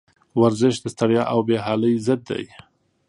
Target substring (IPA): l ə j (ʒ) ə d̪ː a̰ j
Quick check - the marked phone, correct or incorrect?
incorrect